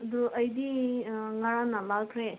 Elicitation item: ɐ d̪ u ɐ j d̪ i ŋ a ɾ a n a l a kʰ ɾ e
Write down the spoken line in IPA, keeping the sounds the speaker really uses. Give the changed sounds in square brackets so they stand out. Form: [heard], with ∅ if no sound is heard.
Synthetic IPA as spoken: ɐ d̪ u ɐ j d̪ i ŋ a ɾ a n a l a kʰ ɾ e